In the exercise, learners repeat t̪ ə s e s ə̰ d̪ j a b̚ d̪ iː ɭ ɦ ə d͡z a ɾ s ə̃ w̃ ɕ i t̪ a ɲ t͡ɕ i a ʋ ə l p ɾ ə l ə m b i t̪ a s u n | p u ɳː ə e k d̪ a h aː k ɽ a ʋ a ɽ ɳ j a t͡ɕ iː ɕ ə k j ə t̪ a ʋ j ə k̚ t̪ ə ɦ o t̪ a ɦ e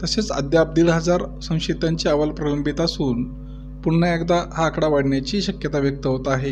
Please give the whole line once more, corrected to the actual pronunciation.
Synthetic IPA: t̪ ə s e t͡s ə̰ d̪ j a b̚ d̪ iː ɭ ɦ ə d͡z a ɾ s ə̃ w̃ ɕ i t̪ a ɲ t͡ɕ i a ʋ ə l p ɾ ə l ə m b i t̪ a s uː n | p u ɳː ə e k d̪ a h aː k ɽ a ʋ a ɽ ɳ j a t͡ɕ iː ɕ ə k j ə t̪ a ʋ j ə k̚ t̪ ə ɦ o t̪ a ɦ e